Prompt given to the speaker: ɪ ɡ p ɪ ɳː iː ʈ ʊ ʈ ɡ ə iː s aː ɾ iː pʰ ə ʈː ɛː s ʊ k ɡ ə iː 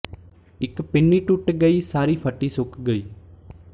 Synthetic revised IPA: ɪ k p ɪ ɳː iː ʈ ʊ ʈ ɡ ə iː s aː ɾ iː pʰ ə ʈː iː s ʊ k ɡ ə iː